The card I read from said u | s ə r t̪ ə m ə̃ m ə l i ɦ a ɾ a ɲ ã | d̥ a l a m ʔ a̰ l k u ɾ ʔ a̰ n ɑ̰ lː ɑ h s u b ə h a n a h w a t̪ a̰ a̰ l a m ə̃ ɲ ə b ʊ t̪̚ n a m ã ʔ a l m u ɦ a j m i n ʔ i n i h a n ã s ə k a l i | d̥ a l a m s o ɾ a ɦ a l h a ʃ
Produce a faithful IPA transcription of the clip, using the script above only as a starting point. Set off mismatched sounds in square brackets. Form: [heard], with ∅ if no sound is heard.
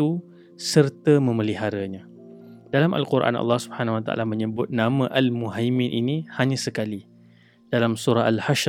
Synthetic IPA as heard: u | s ə r t̪ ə m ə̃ m ə l i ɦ a ɾ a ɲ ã | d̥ a l a m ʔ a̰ l k u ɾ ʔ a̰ n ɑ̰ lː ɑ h s u b ə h a n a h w a t̪ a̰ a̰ l a m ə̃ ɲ ə b ʊ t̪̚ n a m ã ʔ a l m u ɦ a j m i n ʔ i n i h a [ɲ] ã s ə k a l i | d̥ a l a m s [u] ɾ a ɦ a l h a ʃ